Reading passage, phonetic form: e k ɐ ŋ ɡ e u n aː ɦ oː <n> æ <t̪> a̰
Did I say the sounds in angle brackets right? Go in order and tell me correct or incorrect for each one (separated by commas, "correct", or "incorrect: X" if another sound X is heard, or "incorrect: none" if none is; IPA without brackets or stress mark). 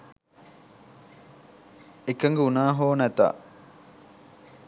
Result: correct, correct